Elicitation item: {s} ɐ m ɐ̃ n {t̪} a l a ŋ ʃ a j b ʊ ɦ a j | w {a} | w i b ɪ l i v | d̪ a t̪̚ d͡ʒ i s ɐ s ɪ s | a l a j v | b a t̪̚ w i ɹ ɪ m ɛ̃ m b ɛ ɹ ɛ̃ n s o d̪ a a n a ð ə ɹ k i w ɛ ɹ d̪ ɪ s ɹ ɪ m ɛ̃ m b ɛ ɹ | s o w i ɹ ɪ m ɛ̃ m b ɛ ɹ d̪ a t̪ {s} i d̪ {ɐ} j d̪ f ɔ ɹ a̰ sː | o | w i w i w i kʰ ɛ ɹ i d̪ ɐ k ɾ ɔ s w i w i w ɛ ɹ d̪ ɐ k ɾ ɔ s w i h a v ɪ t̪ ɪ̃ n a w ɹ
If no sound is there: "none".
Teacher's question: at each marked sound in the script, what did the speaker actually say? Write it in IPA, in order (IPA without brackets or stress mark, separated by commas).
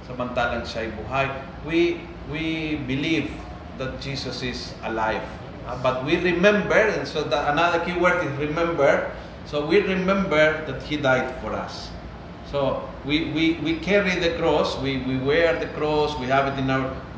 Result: s, t̪, i, h, a